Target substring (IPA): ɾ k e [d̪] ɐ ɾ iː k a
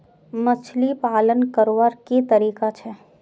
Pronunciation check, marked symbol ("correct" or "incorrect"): incorrect